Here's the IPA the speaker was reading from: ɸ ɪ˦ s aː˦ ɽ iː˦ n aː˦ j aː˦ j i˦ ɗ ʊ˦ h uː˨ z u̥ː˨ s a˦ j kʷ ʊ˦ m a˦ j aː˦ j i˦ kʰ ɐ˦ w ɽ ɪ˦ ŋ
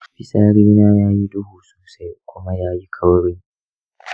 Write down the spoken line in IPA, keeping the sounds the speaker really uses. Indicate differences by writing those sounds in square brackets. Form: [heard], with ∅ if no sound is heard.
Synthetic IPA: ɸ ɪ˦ s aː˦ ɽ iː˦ n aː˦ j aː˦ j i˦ [d] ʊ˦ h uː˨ [s] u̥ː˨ s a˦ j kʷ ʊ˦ m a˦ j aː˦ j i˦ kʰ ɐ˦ w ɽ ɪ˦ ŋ